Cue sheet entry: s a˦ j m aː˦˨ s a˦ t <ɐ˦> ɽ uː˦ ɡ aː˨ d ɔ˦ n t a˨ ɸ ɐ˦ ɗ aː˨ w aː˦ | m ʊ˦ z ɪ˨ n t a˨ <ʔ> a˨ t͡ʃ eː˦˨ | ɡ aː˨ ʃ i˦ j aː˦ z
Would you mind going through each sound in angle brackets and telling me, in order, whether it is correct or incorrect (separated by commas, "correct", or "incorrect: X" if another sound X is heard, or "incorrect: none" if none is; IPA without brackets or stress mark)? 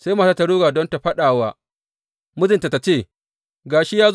incorrect: a˦, incorrect: t